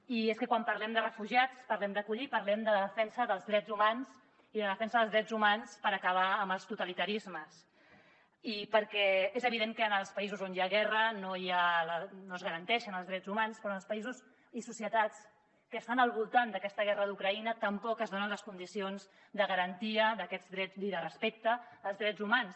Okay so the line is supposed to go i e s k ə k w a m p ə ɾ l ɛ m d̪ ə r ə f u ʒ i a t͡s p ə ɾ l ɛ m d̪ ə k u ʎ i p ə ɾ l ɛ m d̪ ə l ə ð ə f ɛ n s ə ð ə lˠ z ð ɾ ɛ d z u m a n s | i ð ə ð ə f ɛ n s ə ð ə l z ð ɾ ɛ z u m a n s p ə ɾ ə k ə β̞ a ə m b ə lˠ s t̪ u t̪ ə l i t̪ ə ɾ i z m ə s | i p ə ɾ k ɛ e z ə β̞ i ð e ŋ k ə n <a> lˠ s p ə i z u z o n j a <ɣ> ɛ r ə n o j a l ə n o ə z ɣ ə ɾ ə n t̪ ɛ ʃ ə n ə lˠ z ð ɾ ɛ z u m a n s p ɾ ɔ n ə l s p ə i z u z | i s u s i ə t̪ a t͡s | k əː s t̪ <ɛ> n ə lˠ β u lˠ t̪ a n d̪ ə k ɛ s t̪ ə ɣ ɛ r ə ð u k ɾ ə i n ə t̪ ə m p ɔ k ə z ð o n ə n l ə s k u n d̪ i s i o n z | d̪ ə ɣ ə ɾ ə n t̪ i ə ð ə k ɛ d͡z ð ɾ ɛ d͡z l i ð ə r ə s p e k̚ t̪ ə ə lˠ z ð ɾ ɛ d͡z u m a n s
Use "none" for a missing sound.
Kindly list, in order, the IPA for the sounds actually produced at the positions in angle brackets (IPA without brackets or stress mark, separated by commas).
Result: ə, ɣ, a